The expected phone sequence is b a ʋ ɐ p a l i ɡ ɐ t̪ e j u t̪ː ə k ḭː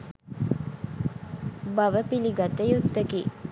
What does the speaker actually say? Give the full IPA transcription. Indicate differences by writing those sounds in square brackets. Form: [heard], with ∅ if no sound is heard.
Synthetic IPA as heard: b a ʋ [ə] p [i] l i ɡ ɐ t̪ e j u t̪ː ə k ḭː